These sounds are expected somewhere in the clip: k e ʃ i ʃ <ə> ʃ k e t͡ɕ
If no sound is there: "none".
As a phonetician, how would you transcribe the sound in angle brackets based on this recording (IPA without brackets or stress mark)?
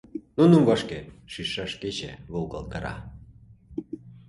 ɑ